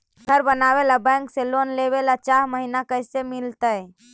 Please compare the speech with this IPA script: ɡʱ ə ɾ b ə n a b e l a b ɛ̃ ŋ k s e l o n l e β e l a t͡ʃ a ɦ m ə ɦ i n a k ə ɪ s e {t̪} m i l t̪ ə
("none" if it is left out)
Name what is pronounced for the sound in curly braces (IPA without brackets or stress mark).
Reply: none